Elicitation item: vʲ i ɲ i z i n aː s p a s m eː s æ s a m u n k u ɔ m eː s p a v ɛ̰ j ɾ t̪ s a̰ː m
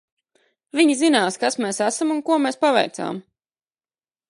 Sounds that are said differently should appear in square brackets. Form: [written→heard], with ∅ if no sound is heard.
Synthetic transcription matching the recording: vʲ i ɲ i z i n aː s [p→k] a s m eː s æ s a m u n k u ɔ m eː s p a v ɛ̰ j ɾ t̪ s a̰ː m